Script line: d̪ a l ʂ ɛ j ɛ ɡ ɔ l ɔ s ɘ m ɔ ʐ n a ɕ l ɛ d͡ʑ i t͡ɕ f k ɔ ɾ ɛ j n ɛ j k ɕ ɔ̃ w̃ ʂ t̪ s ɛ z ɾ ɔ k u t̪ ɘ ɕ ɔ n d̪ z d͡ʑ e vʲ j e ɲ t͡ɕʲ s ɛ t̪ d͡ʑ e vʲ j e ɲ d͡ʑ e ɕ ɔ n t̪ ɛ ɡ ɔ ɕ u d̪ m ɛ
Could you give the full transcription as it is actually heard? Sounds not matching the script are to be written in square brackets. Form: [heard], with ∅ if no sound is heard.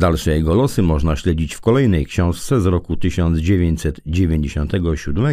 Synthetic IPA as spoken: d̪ a l ʂ ɛ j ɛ ɡ ɔ l ɔ s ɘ m ɔ ʐ n a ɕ l ɛ d͡ʑ i t͡ɕ f k ɔ [l] ɛ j n ɛ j k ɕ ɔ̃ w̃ ʂ t̪ s ɛ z ɾ ɔ k u t̪ ɘ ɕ ɔ n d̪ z d͡ʑ e vʲ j e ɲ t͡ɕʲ s ɛ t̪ d͡ʑ e vʲ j e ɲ d͡ʑ e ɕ ɔ n t̪ ɛ ɡ ɔ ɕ u d̪ m ɛ